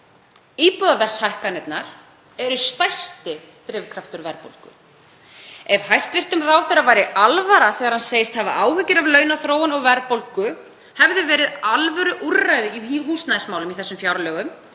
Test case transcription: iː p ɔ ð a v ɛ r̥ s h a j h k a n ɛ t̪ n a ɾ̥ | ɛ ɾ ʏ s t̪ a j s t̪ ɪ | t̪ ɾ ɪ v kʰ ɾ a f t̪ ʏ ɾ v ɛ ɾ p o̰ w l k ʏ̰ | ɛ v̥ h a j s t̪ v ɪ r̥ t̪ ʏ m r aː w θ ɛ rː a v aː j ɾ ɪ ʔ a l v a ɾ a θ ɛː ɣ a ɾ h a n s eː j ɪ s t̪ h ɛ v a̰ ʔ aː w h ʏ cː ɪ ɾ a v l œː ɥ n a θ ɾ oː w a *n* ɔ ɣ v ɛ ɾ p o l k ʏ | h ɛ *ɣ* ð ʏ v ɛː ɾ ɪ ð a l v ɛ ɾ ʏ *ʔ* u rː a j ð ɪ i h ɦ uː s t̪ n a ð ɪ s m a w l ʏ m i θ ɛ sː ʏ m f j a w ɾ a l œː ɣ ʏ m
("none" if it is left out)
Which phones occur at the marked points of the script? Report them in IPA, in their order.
n, v, ʔ

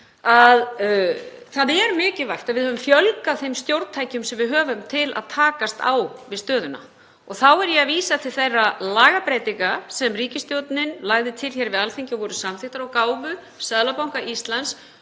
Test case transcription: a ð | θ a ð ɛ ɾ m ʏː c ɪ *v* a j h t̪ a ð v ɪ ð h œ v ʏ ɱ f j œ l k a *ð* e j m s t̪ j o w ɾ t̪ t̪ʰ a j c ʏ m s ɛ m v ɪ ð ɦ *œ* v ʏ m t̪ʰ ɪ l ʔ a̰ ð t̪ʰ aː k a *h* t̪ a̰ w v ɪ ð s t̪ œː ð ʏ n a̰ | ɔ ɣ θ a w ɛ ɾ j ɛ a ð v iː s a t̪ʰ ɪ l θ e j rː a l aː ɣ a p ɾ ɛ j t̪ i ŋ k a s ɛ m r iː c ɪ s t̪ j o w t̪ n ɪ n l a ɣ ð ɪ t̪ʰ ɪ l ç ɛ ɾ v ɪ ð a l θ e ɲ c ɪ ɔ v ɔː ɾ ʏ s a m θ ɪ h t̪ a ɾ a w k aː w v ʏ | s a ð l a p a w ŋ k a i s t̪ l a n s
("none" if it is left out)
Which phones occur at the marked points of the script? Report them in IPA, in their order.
v, θ, œː, s

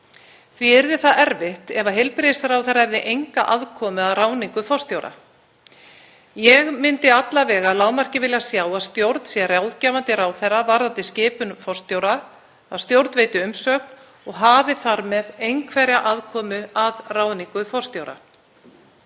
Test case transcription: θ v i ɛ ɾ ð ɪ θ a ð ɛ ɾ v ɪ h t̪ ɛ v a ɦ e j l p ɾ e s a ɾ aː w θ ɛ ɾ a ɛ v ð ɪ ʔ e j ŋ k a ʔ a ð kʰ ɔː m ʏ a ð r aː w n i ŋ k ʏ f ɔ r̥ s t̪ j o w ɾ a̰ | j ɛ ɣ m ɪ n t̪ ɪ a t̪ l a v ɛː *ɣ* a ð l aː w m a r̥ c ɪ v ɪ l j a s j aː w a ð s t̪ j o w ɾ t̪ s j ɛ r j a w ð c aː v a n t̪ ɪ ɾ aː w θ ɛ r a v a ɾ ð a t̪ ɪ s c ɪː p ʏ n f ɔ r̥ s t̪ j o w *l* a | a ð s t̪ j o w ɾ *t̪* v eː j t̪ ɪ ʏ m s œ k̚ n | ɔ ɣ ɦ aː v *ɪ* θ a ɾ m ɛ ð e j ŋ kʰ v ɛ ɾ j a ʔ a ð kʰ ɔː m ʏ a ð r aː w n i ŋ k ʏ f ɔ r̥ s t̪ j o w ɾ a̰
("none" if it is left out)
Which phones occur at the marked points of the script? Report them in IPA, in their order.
ɣ, ɾ, t̪, ɪ

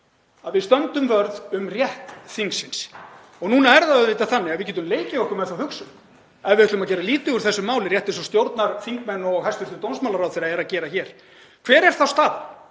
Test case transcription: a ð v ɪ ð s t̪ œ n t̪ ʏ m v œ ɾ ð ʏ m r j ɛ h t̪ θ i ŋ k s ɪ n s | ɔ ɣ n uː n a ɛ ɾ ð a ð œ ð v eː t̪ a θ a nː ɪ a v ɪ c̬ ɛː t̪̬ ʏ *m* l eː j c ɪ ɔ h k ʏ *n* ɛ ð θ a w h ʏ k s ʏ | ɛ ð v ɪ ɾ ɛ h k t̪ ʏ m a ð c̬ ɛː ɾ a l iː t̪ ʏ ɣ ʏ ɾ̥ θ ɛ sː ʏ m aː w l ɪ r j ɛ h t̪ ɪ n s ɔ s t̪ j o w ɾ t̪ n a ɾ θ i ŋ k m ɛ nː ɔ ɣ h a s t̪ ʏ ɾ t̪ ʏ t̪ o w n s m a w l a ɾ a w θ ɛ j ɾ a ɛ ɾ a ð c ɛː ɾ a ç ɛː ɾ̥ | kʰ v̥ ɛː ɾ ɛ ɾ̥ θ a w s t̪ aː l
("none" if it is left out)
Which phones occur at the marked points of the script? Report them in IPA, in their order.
m, m

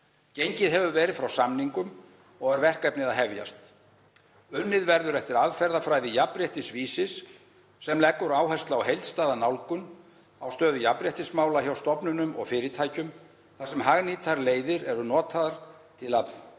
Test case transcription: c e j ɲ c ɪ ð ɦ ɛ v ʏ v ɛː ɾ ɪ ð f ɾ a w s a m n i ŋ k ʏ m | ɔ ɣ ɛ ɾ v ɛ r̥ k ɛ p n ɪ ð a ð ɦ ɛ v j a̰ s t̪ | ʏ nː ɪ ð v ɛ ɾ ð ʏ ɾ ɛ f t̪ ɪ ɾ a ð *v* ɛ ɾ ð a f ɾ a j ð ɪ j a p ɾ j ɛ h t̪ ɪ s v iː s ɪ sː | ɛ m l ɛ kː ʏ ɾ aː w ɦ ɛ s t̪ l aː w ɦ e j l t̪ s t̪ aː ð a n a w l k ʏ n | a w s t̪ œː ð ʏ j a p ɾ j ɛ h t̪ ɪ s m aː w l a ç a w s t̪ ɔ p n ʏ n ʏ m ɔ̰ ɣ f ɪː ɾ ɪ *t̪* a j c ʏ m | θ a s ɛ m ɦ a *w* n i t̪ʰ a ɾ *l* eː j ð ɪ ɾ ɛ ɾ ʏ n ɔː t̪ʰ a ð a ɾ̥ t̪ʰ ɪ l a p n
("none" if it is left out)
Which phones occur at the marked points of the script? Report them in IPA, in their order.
f, t̪ʰ, ɣ, l

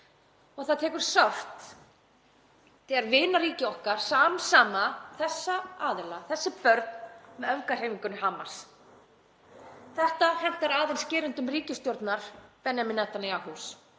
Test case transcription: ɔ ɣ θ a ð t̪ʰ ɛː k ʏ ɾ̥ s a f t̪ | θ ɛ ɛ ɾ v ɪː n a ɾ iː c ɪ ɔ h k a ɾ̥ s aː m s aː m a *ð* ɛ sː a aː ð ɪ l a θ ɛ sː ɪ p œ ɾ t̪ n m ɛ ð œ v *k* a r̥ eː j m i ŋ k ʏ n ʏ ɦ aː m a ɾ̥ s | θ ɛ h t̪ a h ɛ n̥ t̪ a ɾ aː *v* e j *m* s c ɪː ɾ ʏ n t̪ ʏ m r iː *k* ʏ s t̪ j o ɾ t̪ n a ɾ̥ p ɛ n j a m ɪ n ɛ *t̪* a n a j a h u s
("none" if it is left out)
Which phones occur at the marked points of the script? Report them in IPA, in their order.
θ, k, ð, n, c, t̪

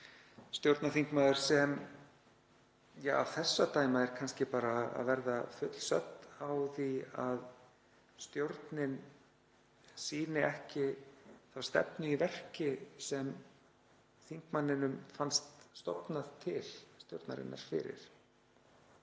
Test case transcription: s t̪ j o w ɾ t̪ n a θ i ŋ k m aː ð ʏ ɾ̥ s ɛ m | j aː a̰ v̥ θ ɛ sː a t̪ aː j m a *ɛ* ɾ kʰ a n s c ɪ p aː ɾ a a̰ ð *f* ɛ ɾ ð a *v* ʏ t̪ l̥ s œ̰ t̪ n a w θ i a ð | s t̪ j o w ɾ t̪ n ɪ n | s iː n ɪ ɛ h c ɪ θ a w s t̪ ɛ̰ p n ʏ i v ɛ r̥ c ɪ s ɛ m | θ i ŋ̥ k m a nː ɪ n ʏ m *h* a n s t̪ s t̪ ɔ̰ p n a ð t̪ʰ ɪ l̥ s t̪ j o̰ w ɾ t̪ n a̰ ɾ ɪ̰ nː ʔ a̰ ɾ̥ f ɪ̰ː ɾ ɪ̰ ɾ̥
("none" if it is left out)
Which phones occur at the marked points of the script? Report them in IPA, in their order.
ɛ, v, f, f

